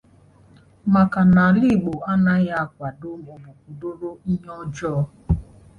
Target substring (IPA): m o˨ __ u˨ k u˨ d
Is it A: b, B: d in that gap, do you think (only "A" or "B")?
A